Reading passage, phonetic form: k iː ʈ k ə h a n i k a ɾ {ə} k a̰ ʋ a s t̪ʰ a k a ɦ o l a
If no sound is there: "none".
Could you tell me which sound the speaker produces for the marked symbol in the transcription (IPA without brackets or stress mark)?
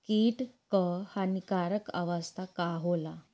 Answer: ə